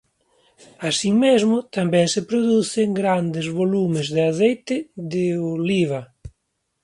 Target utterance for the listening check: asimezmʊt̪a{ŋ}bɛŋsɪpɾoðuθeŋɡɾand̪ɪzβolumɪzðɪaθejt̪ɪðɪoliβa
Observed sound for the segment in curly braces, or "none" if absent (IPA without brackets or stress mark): m